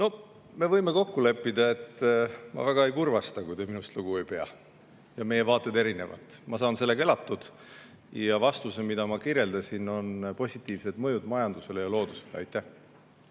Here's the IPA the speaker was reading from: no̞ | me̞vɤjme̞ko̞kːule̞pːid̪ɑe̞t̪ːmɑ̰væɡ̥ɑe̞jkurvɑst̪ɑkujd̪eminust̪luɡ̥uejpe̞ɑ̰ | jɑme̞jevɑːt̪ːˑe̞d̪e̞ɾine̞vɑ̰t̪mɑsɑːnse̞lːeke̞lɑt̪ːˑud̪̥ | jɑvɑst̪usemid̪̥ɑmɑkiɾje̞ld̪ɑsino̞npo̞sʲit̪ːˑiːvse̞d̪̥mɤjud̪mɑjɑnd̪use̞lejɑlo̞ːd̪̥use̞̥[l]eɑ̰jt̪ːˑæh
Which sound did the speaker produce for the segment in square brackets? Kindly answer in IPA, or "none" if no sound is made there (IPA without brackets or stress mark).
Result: l